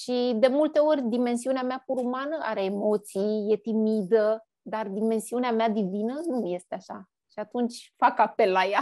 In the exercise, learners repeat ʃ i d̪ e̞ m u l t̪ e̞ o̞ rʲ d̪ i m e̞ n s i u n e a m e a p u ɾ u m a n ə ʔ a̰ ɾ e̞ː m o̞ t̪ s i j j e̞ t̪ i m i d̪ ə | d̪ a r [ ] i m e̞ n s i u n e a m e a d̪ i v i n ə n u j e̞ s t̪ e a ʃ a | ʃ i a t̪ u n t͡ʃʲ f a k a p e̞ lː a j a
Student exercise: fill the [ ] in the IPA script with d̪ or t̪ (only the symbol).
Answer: d̪